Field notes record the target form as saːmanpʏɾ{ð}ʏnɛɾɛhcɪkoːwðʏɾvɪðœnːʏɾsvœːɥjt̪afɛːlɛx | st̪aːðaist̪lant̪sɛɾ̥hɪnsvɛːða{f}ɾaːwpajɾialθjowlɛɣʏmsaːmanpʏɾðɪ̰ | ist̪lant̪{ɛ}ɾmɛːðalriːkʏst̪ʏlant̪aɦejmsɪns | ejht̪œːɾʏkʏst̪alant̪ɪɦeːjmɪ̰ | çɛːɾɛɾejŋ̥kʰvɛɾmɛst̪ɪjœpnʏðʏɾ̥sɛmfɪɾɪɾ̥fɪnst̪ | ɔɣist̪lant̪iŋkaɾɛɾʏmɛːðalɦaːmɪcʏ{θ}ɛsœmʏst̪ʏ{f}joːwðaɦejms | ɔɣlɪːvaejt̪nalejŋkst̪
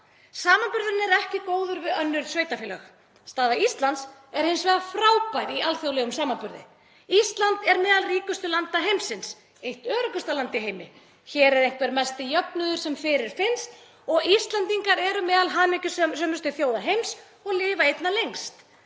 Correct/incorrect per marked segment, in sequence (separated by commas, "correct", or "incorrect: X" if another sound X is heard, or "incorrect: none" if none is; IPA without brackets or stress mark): correct, correct, correct, incorrect: s, incorrect: θ